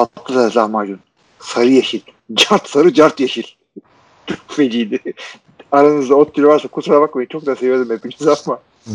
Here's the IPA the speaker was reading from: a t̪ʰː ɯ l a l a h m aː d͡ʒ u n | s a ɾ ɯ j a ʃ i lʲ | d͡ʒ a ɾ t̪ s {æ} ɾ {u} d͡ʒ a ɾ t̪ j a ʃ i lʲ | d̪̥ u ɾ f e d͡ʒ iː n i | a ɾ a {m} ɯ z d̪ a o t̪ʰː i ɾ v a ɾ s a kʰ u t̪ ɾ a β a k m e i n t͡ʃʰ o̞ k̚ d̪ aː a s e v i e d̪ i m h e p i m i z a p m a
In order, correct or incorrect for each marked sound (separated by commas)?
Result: incorrect, incorrect, incorrect